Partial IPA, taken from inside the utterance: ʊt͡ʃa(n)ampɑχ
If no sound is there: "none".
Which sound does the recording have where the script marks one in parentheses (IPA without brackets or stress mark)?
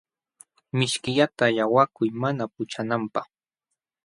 n